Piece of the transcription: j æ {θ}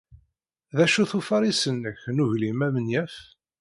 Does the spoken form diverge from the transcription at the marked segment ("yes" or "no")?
yes